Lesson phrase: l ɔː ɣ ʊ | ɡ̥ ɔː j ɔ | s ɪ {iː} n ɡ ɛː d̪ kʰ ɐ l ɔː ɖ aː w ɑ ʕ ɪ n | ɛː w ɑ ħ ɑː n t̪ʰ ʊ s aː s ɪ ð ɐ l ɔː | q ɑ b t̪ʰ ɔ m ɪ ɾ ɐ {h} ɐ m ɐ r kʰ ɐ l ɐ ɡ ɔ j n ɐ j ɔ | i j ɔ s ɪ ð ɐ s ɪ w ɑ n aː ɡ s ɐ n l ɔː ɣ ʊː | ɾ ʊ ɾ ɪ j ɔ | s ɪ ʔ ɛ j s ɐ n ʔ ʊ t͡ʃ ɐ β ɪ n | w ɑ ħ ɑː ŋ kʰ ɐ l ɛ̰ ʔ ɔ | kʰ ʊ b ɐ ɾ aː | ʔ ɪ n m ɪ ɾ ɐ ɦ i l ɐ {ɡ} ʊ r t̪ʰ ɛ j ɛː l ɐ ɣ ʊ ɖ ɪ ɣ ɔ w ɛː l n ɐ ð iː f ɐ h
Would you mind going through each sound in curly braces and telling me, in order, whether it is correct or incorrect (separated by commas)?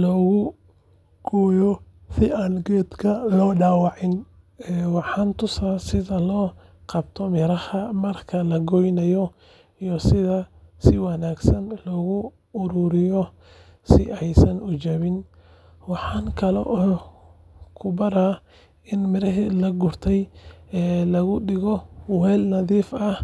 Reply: incorrect, correct, correct